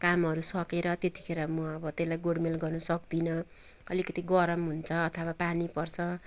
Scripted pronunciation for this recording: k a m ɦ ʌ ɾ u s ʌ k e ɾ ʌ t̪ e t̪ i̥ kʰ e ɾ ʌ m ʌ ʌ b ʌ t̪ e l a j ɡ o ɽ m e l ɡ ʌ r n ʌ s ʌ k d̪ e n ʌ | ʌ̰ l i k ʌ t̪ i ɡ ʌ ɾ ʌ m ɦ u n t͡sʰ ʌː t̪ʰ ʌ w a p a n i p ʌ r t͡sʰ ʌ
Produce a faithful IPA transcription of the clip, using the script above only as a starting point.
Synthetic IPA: k a m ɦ ʌ ɾ u s ʌ k e ɾ ʌ t̪ e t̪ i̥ kʰ e ɾ ʌ m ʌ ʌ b ʌ t̪ e l a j ɡ o ɽ m e l ɡ ʌ r n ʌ s ʌ k d̪ i n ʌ | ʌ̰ l i k ʌ t̪ i ɡ ʌ ɾ ʌ m ɦ u n t͡sʰ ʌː t̪ʰ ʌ w a p a n i p ʌ r t͡sʰ ʌ